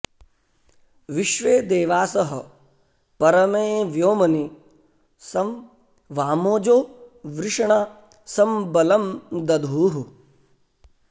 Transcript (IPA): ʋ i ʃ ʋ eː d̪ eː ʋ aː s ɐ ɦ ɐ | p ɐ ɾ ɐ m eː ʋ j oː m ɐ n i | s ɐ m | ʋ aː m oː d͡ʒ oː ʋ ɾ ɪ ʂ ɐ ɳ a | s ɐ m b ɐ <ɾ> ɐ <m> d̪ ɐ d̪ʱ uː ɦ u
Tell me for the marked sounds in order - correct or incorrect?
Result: incorrect, correct

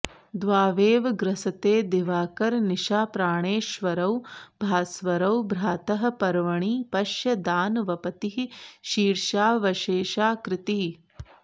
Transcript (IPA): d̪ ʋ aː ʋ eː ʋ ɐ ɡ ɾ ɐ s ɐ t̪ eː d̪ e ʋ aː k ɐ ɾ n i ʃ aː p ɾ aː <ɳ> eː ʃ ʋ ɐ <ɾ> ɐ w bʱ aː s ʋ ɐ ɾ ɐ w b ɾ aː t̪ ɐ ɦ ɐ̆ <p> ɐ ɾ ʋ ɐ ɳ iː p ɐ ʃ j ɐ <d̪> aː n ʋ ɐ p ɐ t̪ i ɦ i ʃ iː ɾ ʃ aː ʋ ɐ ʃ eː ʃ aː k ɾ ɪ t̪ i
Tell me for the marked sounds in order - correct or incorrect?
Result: correct, correct, correct, correct

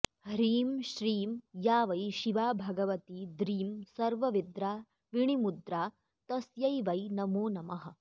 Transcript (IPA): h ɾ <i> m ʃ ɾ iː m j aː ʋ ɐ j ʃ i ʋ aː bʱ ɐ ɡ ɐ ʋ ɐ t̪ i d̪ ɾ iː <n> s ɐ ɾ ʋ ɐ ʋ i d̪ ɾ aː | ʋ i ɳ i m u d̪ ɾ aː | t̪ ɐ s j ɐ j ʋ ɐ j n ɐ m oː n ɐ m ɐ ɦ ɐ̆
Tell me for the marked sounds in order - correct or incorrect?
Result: incorrect, incorrect

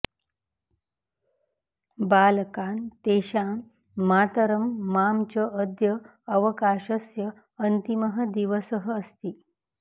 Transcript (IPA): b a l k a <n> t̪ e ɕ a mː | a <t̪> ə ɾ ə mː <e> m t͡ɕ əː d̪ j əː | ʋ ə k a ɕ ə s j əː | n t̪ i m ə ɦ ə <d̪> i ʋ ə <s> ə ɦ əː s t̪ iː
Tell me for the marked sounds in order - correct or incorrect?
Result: correct, correct, incorrect, correct, correct

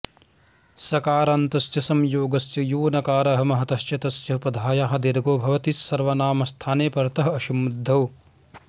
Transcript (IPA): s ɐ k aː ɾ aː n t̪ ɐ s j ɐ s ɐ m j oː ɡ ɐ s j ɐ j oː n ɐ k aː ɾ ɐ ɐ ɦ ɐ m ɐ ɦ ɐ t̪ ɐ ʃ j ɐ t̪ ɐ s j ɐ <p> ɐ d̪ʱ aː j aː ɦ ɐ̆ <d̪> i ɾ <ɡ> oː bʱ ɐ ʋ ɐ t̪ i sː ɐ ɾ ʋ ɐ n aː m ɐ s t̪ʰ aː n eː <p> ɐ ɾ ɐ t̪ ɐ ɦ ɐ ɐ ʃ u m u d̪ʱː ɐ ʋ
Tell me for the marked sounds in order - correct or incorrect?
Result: correct, correct, correct, correct

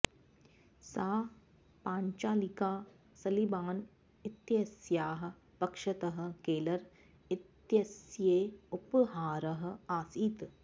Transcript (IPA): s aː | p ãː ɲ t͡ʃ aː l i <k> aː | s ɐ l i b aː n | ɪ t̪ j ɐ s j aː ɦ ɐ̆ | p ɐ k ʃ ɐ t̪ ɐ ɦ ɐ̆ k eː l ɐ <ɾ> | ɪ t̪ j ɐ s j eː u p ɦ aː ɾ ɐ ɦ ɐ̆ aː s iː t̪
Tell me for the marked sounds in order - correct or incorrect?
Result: correct, correct

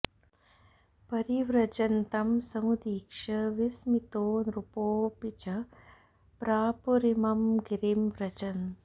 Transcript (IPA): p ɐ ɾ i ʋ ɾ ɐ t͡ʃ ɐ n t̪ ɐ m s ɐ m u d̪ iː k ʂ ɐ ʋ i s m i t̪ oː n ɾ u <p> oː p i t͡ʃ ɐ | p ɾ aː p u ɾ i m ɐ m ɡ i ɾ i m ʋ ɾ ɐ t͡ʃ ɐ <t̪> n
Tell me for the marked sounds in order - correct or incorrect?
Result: correct, incorrect

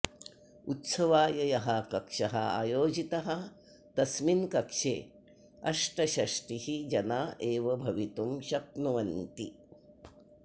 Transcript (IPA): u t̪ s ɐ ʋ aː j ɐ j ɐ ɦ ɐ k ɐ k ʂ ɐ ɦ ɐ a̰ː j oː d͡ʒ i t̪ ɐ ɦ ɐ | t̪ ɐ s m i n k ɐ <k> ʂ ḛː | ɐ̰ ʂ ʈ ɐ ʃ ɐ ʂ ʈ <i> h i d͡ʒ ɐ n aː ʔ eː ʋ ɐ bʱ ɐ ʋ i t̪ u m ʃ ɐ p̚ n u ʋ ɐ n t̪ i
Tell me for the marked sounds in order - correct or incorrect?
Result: correct, correct

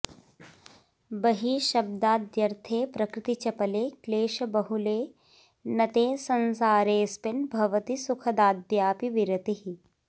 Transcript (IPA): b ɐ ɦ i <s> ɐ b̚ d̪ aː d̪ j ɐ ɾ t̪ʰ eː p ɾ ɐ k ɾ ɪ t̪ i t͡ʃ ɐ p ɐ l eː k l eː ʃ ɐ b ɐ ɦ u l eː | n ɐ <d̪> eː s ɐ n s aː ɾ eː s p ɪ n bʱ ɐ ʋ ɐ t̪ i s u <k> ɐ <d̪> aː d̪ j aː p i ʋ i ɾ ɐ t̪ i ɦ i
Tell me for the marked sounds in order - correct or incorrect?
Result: incorrect, incorrect, incorrect, correct

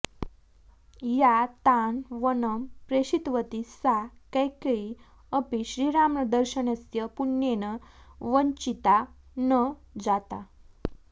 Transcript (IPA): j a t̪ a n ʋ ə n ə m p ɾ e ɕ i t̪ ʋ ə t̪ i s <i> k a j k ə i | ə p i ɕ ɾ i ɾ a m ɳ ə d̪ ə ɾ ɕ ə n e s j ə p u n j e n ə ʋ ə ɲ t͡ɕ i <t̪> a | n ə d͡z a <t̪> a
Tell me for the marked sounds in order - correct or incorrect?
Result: incorrect, correct, correct

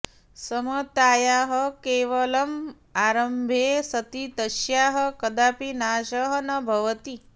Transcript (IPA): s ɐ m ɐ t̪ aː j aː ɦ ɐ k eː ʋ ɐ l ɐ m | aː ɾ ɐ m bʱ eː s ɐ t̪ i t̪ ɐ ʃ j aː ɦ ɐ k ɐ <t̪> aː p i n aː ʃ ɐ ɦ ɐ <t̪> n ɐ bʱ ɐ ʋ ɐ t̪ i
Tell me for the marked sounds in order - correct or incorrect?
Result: incorrect, incorrect

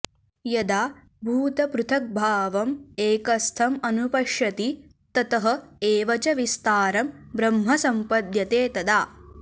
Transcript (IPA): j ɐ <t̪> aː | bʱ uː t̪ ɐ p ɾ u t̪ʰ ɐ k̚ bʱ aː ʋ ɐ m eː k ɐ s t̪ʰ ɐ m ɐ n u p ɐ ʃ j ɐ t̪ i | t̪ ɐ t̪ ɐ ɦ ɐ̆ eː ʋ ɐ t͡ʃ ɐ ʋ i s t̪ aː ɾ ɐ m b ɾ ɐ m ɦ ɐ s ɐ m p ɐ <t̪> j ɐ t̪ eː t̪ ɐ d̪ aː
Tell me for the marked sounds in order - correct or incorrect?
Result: incorrect, incorrect

